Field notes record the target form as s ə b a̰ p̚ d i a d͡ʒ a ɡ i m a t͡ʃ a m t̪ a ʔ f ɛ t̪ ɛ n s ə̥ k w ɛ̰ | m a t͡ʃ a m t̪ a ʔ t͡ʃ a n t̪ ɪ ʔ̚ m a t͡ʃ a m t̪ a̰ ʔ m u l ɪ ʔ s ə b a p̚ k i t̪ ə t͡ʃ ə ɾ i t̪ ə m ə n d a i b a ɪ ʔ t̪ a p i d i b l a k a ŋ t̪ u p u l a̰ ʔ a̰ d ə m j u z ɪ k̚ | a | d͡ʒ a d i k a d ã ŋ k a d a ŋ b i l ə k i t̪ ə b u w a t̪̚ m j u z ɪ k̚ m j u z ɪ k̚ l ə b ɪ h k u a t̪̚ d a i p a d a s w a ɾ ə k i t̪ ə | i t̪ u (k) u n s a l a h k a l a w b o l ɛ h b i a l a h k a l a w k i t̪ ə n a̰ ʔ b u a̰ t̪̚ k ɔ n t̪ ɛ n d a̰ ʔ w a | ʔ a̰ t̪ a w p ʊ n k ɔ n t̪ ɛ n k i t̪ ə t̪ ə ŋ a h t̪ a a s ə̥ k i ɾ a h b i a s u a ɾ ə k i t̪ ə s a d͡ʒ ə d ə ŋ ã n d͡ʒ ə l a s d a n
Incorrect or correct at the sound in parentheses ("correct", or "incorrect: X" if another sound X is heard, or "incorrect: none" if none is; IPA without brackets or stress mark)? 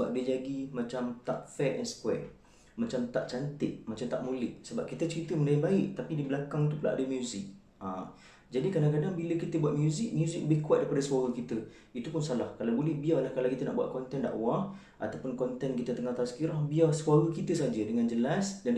incorrect: p